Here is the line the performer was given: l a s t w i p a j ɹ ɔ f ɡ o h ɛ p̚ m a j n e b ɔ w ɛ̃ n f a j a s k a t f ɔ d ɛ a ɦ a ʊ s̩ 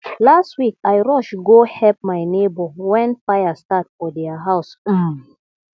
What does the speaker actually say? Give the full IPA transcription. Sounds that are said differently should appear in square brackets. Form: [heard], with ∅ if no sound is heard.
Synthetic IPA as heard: l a s t w i [k] a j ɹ ɔ [ʃ] ɡ o h ɛ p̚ m a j n e b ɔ w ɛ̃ n f a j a s [t] a t f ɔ d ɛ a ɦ a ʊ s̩